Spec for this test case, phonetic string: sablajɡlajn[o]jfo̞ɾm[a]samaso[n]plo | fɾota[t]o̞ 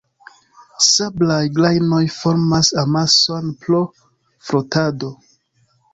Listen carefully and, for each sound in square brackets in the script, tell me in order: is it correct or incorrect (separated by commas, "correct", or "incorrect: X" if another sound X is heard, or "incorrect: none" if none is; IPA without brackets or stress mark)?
correct, correct, correct, incorrect: d